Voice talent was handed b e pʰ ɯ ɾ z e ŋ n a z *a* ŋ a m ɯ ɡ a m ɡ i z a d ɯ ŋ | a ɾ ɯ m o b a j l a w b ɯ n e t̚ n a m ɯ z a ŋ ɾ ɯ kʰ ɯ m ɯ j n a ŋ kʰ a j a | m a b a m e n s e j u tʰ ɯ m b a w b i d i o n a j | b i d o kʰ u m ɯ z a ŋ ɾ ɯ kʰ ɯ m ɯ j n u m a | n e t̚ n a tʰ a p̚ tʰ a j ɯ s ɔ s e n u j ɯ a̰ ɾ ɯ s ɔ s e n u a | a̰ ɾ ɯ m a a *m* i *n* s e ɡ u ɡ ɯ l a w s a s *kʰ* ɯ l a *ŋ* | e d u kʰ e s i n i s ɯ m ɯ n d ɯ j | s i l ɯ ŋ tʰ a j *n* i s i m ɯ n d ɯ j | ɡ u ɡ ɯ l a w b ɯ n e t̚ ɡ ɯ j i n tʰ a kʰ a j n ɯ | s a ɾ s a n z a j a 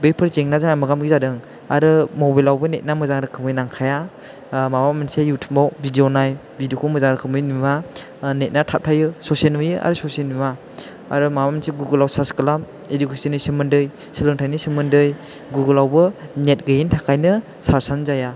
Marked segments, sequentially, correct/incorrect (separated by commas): correct, correct, correct, incorrect, incorrect, correct